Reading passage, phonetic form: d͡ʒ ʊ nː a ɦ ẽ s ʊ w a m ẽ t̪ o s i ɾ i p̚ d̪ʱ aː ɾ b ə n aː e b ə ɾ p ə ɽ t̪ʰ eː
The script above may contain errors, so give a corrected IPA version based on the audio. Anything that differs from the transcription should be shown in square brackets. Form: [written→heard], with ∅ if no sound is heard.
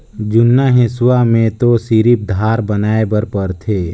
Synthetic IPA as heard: d͡ʒ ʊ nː a ɦ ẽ s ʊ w a m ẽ t̪ o s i ɾ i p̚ d̪ʱ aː ɾ b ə n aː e b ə ɾ p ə [ɽ→ɾ] t̪ʰ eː